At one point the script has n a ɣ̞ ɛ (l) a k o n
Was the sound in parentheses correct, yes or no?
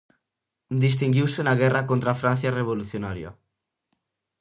no